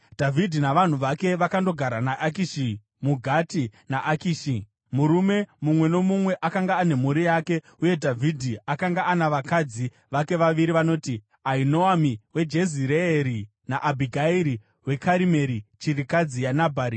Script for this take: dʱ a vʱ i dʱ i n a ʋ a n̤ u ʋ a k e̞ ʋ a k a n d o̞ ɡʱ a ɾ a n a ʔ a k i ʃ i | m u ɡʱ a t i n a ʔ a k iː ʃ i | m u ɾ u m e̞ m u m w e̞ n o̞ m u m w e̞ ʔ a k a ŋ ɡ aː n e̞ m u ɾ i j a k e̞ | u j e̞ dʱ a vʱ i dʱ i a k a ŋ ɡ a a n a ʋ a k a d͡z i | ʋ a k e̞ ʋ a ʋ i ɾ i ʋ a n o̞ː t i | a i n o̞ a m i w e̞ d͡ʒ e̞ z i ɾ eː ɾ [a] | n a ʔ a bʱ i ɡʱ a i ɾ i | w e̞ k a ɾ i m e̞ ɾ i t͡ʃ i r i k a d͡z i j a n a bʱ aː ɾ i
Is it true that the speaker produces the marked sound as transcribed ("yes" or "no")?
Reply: no